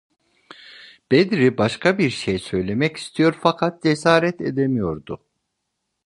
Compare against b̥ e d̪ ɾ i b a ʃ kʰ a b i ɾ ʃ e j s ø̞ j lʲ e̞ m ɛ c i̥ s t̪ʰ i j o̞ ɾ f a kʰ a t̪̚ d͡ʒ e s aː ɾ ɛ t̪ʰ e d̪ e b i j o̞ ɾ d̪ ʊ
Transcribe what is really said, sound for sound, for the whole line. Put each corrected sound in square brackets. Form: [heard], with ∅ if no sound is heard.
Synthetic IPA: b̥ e d̪ ɾ i b a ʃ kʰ a b i ɾ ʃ e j s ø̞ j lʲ e̞ m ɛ c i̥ s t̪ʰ i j o̞ ɾ f a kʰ a t̪̚ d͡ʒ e s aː ɾ ɛ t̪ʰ e d̪ e [m] i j o̞ ɾ d̪ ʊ

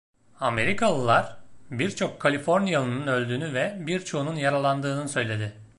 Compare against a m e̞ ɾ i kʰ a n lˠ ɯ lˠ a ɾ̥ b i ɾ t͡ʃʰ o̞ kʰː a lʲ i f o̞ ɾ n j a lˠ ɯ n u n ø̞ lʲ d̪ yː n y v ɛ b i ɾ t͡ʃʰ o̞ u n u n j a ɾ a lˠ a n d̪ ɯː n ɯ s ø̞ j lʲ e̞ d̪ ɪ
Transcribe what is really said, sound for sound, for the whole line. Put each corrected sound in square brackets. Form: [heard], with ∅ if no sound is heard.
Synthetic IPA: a m e̞ ɾ i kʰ a [∅] lˠ ɯ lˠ a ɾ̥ b i ɾ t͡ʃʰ o̞ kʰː a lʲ i f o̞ ɾ n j a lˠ ɯ n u n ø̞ lʲ d̪ yː n y v ɛ b i ɾ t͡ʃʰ o̞ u n u n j a ɾ a lˠ a n d̪ ɯː n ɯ s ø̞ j lʲ e̞ d̪ ɪ

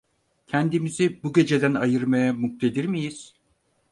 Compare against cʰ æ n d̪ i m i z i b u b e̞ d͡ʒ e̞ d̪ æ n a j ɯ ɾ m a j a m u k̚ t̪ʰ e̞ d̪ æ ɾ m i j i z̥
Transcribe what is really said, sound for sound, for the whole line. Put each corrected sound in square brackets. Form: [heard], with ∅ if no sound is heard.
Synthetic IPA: cʰ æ n d̪ i m i z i b u [ɟ] e̞ d͡ʒ e̞ d̪ æ n a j ɯ ɾ m a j a m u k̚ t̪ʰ e̞ d̪ [i] ɾ m i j i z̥

